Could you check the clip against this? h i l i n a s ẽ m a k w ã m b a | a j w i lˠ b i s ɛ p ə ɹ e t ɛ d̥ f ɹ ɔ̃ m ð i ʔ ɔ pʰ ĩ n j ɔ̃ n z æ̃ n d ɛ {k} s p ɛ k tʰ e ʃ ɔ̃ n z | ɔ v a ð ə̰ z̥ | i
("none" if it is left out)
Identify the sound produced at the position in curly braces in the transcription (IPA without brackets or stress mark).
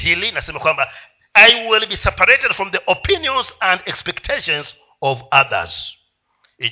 k